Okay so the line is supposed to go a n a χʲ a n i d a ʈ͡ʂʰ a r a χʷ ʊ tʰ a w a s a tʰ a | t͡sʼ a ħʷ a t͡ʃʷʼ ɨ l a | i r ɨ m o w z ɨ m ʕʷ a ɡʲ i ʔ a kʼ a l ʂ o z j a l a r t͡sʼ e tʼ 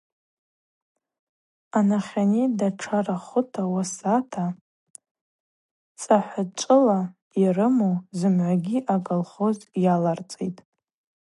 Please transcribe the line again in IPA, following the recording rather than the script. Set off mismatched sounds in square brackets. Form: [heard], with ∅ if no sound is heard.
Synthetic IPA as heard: a n a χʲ a n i d a ʈ͡ʂʰ a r a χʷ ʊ tʰ a w a s a tʰ a | t͡sʼ a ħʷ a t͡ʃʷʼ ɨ l a | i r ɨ m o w z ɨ m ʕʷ a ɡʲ i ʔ a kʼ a l [χ] o z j a l a r t͡sʼ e tʼ